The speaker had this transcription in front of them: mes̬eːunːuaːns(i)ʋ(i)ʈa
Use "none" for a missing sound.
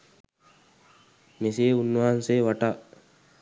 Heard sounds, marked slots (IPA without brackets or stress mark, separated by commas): e, a